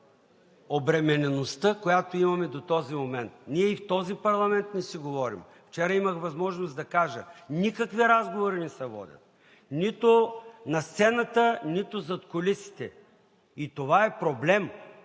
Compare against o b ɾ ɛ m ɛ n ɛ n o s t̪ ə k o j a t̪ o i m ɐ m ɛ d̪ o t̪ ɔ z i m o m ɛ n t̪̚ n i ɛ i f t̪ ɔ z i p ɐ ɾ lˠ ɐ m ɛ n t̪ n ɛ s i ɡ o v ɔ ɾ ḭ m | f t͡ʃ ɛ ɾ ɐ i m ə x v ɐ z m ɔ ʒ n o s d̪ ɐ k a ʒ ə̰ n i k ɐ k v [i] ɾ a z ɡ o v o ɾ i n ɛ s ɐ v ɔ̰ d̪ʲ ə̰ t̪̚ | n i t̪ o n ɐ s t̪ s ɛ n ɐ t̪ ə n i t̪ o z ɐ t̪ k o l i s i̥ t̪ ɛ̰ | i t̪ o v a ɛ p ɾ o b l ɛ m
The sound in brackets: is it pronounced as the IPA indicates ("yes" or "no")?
yes